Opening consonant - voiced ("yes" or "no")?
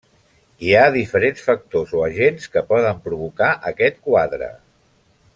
yes